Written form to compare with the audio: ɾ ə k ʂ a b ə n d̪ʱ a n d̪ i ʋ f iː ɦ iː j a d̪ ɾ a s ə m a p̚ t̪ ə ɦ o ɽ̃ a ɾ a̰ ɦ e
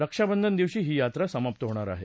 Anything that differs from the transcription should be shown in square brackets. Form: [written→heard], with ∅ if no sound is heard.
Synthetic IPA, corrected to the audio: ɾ ə k ʂ a b ə n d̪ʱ [a→ə] n d̪ i ʋ [f→ɕ] iː ɦ iː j a [d̪→t̪] ɾ a s ə m a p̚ t̪ ə ɦ o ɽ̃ a ɾ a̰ ɦ e